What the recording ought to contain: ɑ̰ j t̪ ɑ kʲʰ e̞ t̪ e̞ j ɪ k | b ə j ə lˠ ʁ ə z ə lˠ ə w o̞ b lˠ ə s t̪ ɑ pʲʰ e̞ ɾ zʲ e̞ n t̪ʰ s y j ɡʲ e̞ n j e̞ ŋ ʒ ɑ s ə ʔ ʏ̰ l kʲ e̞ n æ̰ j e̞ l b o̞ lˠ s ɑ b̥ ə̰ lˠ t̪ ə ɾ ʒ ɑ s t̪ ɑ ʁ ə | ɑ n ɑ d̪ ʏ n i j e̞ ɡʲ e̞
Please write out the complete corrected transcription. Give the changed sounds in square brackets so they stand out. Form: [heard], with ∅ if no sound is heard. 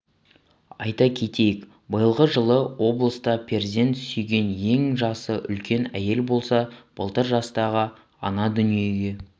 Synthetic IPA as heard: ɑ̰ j t̪ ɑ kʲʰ e̞ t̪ e̞ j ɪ k | b ə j ə lˠ ʁ ə [ʒ] ə lˠ ə w o̞ b lˠ ə s t̪ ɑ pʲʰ e̞ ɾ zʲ e̞ n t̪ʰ s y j ɡʲ e̞ n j e̞ ŋ ʒ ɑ s ə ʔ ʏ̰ l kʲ e̞ n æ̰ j e̞ l b o̞ lˠ s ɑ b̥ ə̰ lˠ t̪ ə ɾ ʒ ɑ s t̪ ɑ ʁ ə | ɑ n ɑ d̪ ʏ n i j e̞ ɡʲ e̞